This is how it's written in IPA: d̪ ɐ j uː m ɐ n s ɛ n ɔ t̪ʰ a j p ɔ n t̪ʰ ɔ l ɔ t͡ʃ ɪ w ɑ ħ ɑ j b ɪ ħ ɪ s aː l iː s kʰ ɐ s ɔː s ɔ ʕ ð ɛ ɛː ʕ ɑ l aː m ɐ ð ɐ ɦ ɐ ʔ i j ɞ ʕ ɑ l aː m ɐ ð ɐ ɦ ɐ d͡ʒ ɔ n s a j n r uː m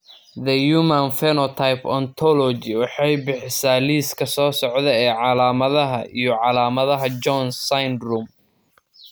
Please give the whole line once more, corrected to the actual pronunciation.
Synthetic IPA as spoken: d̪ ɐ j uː m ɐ n f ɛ n ɔ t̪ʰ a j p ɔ n t̪ʰ ɔ l ɔ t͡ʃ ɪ w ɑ ħ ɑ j b ɪ ħ ɪ s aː l iː s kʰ ɐ s ɔː s ɔ ʕ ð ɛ ɛː ʕ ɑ l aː m ɐ ð ɐ ɦ ɐ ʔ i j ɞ ʕ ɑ l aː m ɐ ð ɐ ɦ ɐ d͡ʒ ɔ n s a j n r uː m